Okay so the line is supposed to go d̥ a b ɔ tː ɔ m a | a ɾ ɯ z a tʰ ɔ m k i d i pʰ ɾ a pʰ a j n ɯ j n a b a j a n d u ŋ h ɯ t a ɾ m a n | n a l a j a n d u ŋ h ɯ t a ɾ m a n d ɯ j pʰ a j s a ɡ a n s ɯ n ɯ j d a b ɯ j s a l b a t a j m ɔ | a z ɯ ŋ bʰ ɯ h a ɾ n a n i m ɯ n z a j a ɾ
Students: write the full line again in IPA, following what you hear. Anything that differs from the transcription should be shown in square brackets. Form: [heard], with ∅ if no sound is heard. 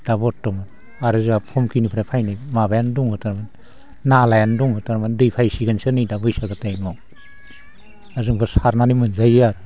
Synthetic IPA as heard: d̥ a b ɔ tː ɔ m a | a ɾ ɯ z a [pʰ] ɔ m k i [n] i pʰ ɾ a pʰ a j n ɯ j [m] a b a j a n d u ŋ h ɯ t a ɾ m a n | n a l a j a n d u ŋ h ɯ t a ɾ m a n d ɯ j pʰ a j s [i] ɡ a n s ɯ n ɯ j d a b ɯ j s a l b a t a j m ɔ | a z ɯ ŋ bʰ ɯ [s] a ɾ n a n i m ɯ n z a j a ɾ